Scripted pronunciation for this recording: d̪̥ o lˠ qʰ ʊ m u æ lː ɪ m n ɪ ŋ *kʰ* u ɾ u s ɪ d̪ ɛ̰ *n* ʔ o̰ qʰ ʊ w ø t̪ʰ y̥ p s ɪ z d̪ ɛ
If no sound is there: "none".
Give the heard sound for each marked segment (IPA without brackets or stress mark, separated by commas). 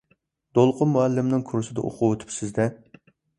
kʰ, none